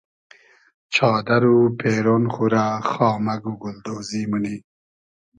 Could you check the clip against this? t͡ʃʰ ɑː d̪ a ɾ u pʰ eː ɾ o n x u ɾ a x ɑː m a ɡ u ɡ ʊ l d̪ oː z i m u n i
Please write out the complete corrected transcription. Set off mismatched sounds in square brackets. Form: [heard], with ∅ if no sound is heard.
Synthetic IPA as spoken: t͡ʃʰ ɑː d̪ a ɾ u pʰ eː ɾ o n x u ɾ a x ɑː m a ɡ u ɡ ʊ l d̪ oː z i m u n i

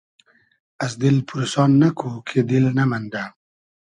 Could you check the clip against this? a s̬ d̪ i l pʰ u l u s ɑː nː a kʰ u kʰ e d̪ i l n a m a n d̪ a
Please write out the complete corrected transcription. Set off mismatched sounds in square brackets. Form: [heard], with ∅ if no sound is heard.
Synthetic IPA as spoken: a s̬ d̪ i l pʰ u [ɾ] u s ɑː nː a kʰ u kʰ e d̪ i l n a m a n d̪ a

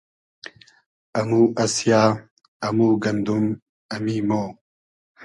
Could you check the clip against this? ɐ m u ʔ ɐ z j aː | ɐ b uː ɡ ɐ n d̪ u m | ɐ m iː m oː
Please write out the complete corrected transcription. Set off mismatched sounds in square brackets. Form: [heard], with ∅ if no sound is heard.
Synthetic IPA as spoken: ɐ m u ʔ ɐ [s] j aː | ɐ [m] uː ɡ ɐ n d̪ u m | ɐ m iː m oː

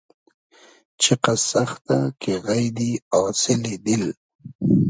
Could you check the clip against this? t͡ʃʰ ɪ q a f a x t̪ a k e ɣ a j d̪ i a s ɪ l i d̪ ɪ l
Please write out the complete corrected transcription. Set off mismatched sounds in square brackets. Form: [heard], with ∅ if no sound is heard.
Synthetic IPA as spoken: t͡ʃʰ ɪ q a [s] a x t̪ a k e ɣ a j d̪ i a s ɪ l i d̪ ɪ l

